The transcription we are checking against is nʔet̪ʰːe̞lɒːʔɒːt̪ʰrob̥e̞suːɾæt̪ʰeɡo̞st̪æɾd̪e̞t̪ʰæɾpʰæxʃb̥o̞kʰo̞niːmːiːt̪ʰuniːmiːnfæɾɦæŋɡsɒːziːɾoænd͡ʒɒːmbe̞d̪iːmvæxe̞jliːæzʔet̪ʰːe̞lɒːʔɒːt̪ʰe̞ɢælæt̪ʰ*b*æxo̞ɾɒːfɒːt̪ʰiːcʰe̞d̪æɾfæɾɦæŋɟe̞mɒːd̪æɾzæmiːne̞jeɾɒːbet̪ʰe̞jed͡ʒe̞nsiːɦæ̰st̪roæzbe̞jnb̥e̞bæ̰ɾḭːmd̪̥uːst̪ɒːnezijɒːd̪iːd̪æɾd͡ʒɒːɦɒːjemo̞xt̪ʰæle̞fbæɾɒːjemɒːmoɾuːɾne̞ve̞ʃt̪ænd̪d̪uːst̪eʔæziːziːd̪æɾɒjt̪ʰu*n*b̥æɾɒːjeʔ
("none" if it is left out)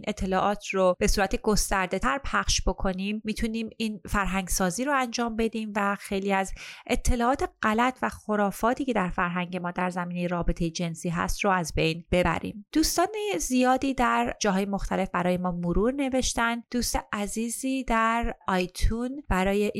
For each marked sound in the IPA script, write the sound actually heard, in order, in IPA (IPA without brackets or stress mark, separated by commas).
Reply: v, n